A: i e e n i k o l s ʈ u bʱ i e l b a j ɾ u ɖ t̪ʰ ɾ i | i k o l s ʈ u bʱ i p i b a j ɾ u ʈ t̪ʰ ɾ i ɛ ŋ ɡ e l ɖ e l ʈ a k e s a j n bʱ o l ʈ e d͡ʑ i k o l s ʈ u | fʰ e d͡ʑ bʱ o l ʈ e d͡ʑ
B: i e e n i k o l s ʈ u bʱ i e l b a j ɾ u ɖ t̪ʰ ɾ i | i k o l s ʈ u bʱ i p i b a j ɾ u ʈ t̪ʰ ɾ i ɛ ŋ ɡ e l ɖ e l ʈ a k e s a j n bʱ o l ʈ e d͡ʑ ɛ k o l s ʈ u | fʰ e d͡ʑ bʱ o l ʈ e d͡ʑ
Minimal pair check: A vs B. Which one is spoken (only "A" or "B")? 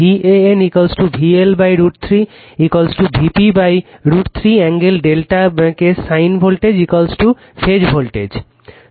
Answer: A